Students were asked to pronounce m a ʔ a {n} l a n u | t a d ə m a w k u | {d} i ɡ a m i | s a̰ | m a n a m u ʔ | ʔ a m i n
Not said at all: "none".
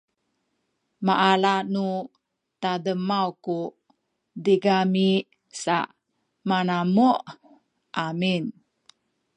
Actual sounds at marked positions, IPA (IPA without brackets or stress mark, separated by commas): none, d